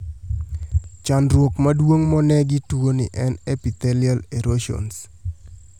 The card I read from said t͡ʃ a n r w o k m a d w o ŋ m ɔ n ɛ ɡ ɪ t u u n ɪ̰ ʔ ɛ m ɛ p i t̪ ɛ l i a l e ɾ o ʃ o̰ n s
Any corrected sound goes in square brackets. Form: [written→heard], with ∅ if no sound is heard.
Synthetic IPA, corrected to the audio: t͡ʃ a n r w o k m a d w o ŋ m ɔ n ɛ ɡ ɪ t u [u→o] n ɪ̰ ʔ ɛ [m→n] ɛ p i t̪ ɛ l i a l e ɾ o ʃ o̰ n s